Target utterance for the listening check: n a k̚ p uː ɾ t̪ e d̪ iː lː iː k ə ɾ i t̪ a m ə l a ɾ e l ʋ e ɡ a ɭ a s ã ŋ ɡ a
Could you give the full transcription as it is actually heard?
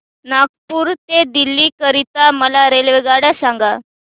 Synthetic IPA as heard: n a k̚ p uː ɾ t̪ e d̪ i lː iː k ə ɾ i t̪ a m ə l a ɾ e l ʋ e ɡ a ɽ a s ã ŋ ɡ a